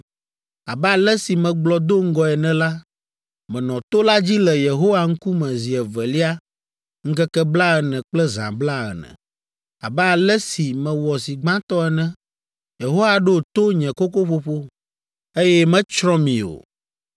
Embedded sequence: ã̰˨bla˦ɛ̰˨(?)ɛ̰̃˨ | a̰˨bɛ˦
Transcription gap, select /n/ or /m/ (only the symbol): n